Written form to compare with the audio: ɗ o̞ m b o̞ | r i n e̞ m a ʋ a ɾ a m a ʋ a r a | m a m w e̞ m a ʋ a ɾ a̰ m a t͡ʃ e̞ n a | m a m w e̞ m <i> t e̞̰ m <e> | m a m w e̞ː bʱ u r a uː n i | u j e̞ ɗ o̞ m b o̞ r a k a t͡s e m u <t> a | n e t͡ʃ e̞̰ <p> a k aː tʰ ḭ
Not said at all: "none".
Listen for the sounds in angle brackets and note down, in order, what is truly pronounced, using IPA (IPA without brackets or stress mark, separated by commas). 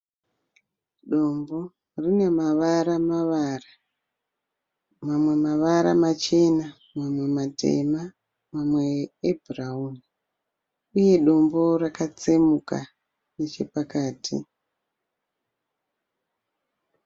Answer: a, a, k, p